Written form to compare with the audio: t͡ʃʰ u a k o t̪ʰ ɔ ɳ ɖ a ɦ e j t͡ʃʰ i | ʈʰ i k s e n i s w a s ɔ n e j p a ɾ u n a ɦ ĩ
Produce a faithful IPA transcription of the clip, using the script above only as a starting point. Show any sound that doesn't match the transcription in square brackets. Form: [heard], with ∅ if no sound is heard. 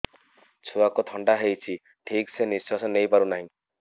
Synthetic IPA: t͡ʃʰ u a k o t̪ʰ ɔ ɳ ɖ a ɦ e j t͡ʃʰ i | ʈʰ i k s e n i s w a s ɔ n e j p a ɾ u n a ɦ ĩ